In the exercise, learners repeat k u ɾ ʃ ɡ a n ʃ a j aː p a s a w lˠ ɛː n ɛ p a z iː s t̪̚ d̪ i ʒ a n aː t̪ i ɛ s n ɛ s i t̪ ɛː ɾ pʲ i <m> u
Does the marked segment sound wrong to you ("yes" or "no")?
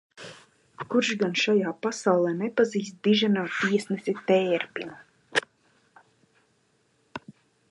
yes